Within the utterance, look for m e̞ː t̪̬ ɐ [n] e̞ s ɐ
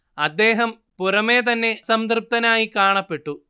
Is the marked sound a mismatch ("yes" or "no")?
yes